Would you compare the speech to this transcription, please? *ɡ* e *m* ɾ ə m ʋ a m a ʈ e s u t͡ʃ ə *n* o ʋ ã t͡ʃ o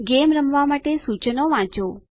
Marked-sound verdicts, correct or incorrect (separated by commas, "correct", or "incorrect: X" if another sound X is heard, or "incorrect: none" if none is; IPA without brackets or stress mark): correct, correct, correct